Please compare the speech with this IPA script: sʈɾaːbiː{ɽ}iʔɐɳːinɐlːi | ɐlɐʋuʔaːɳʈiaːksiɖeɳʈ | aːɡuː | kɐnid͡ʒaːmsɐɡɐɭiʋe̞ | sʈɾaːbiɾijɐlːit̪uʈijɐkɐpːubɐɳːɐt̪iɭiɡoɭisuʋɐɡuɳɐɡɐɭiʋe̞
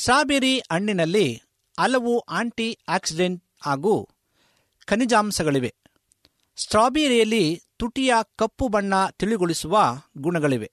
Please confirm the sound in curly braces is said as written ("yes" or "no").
no